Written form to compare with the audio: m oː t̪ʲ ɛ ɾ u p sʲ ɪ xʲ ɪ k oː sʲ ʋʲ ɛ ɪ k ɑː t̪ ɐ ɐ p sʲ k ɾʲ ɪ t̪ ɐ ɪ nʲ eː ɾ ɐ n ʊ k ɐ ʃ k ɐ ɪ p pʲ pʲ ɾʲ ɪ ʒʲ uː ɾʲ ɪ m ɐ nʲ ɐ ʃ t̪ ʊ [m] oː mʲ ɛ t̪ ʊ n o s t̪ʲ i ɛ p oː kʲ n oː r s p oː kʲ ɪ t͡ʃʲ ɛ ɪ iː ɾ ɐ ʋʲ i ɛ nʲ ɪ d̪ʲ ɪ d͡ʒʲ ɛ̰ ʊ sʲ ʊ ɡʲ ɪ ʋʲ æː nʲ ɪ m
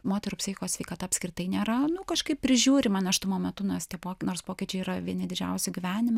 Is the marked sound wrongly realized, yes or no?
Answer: no